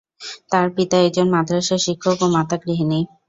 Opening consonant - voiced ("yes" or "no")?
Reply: no